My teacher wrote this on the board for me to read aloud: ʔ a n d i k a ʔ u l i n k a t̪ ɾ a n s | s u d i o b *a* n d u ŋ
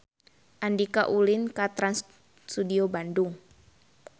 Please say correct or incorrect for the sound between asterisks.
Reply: correct